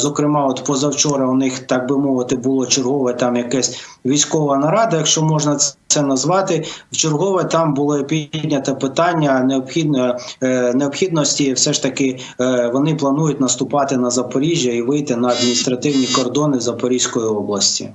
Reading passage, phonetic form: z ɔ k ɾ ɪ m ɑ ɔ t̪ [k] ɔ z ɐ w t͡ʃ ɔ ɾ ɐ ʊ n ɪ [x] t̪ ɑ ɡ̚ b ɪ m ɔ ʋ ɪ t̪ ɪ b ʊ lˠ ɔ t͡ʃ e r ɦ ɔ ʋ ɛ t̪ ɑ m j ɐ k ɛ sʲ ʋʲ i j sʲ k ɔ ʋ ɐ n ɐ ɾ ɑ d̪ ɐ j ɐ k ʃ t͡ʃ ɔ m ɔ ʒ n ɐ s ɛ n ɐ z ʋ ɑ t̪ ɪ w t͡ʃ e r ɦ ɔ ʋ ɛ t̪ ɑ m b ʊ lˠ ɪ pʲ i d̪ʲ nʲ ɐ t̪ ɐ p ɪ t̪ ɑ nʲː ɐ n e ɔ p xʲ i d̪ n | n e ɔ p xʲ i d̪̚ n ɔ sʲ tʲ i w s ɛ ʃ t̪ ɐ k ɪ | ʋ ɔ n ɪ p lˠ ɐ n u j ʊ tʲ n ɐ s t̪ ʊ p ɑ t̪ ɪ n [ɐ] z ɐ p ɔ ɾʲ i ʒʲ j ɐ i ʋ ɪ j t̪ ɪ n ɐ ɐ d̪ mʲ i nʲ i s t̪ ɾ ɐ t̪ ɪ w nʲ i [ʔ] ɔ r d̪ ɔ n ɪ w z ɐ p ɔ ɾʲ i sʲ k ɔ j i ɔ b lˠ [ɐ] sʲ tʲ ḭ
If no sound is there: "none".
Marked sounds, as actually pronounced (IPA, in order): p, x, ɐ, k, ɐ

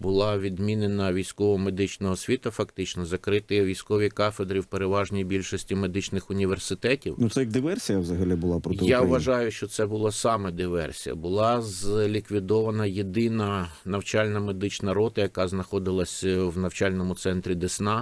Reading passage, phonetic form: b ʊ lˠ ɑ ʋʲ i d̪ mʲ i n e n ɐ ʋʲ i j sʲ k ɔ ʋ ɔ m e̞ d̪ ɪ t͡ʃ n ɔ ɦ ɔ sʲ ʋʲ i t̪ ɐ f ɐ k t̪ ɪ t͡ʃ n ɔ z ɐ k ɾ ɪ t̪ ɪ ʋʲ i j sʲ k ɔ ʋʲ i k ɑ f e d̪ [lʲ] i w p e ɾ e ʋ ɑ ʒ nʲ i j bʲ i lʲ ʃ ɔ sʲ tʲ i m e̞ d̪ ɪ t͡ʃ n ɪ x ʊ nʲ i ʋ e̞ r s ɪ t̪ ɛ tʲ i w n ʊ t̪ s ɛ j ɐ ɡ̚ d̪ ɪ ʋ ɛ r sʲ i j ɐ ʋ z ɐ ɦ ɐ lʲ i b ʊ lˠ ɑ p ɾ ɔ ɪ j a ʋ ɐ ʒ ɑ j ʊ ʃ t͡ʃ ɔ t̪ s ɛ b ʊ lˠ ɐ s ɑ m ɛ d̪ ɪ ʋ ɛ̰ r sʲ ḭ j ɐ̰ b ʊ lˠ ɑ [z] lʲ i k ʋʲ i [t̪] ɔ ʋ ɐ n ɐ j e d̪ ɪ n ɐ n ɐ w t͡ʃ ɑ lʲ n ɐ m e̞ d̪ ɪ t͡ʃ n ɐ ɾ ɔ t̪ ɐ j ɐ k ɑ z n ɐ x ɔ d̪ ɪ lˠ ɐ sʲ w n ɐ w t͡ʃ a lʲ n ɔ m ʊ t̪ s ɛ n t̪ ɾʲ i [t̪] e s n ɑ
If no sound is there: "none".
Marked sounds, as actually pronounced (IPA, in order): ɾʲ, z, d̪, d̪

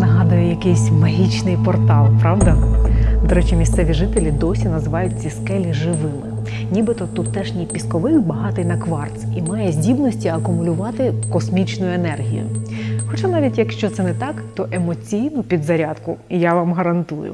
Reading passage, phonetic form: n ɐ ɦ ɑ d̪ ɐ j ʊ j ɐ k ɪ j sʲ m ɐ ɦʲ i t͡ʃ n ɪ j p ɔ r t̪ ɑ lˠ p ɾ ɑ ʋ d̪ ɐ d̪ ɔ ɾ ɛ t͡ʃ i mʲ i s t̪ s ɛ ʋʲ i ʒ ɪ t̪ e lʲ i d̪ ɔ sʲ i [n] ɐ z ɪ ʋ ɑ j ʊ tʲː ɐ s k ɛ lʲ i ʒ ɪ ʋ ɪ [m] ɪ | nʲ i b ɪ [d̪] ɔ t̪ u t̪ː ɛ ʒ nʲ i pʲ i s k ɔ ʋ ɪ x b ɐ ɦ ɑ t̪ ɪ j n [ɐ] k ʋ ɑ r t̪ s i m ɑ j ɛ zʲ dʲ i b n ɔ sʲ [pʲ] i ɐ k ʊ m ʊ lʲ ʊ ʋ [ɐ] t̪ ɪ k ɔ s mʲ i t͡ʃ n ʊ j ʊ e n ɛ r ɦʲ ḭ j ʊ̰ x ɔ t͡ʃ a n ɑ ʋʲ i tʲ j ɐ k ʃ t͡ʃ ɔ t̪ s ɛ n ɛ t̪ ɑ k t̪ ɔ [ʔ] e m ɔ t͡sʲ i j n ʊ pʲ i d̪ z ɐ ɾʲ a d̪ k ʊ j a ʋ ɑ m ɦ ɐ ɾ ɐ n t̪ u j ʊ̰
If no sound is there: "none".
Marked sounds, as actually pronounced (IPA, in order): n, m, t̪, ɐ, tʲ, ɑ, ʔ

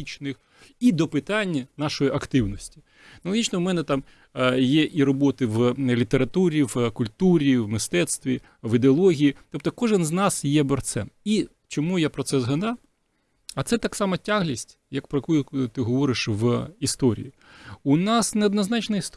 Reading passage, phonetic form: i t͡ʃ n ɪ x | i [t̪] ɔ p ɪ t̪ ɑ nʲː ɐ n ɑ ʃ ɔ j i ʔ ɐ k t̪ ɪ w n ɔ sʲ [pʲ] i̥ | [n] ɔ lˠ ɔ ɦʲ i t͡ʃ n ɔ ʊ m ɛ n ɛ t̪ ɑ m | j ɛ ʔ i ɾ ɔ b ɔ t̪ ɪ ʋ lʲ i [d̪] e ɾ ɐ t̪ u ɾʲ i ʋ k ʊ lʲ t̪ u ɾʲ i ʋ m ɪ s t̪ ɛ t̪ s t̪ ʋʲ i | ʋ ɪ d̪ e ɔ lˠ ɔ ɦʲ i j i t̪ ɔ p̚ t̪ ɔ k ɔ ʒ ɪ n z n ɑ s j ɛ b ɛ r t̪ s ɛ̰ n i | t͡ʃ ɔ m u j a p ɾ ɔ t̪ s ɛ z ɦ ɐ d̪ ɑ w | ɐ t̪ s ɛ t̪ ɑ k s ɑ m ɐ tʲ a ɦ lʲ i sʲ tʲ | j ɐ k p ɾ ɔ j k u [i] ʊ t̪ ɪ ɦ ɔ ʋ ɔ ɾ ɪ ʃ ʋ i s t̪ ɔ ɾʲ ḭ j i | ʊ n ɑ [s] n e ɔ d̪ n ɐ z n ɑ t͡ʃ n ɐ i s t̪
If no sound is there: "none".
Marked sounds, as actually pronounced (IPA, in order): d̪, tʲ, n, t̪, j, s

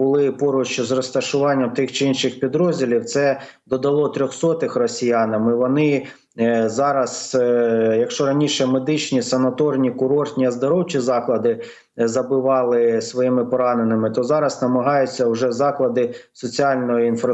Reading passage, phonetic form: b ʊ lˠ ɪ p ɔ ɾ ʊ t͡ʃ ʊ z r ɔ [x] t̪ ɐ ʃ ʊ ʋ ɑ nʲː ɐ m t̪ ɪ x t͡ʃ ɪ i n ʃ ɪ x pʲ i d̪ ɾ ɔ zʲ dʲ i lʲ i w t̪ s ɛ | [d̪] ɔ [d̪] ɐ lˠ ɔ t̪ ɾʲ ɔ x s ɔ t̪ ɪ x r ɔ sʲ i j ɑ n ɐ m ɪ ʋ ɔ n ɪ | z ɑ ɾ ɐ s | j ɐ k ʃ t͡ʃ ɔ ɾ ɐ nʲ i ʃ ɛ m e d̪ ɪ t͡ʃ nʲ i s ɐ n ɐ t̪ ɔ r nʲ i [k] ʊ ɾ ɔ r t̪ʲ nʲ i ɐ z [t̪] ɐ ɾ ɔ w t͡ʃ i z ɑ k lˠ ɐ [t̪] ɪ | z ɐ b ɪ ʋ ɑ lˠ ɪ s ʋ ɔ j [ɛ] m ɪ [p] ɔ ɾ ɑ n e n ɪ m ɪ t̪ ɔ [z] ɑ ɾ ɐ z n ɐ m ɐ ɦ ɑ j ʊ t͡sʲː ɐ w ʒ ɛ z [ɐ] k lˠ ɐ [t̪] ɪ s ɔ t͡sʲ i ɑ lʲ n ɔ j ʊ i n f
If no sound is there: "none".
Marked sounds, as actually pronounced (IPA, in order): s, d̪, d̪, k, d̪, d̪, i, p, z, ɑ, d̪

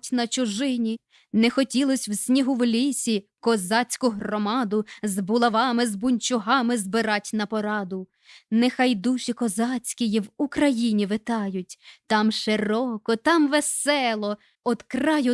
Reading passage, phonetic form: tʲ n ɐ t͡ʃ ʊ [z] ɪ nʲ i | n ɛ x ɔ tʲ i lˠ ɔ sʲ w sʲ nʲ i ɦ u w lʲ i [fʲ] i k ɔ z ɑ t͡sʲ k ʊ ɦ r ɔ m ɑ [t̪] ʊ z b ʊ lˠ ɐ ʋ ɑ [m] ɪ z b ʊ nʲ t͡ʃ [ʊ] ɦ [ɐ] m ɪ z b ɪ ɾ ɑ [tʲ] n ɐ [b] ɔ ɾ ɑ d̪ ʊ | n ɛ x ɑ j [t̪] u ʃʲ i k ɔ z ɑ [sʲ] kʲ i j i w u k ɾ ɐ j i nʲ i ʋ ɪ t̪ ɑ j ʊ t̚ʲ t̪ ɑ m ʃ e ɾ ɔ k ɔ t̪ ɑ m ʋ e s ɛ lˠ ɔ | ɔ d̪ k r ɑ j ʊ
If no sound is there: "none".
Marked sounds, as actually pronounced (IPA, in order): ʒ, sʲ, d̪, m, ʊ, ɑ, tʲ, p, d̪, t͡sʲ

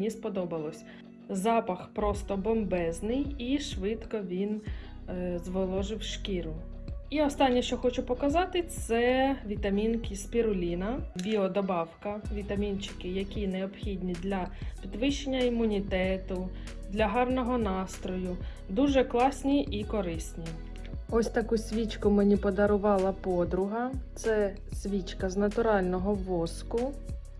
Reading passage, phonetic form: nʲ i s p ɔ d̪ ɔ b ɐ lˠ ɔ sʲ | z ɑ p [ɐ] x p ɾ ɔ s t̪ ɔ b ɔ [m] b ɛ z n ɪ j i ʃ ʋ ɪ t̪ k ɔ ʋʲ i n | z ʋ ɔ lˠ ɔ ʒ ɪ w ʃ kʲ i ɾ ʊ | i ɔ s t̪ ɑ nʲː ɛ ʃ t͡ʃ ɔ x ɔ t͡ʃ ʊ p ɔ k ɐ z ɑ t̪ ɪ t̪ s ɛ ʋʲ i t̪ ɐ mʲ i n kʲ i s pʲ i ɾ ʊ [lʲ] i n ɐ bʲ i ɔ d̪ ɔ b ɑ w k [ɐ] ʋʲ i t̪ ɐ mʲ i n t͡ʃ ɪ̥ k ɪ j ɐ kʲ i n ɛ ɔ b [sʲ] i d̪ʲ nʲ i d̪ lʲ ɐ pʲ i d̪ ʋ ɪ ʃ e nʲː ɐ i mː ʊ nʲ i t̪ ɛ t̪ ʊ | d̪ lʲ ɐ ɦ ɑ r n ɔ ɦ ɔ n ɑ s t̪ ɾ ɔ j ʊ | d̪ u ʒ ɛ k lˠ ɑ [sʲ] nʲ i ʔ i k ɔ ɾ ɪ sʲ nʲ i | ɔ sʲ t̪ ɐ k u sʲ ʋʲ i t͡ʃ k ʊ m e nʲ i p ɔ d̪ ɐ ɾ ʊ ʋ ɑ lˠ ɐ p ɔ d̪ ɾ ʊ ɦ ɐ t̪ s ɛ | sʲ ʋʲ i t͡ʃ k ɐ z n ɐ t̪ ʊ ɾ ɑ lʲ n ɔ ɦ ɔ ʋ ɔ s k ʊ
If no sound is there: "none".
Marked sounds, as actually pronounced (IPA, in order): ɐ, m, lʲ, ɐ, xʲ, sʲ

